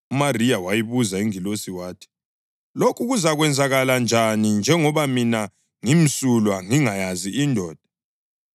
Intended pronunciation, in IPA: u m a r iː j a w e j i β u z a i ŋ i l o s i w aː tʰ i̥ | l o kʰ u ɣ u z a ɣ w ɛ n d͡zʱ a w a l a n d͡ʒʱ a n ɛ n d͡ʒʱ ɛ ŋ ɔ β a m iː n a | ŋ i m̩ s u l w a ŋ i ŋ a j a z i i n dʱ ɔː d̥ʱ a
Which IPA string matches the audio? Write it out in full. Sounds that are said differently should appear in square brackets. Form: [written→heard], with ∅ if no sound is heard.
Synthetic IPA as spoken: u m a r [iː→i] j a w [e→a] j i β u z a i ŋ i l o s i w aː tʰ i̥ | l o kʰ u ɣ u z a ɣ w ɛ n d͡zʱ a [w→ɣ] a l a n d͡ʒʱ a n [ɛ→i] n d͡ʒʱ ɛ ŋ ɔ β a m [iː→i] n a | ŋ i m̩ s u l w a ŋ i ŋ a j a z i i n dʱ ɔː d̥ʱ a